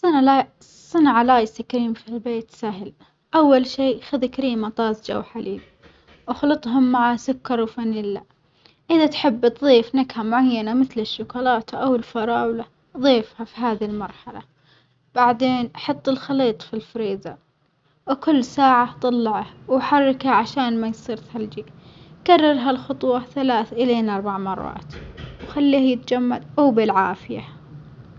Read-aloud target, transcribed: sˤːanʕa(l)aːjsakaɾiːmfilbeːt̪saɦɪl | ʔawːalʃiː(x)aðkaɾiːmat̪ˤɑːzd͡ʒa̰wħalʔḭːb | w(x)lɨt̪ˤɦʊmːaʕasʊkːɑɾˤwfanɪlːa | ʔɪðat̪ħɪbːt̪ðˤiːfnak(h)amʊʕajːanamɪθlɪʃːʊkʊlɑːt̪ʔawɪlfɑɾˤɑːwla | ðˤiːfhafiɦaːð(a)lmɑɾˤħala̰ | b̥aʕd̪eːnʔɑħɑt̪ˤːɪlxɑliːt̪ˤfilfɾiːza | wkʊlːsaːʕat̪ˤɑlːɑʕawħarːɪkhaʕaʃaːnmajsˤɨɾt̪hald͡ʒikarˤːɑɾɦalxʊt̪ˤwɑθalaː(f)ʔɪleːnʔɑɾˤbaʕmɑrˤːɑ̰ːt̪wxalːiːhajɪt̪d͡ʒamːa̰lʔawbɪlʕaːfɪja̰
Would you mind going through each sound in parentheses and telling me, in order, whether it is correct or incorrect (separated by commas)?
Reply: correct, correct, correct, correct, incorrect, incorrect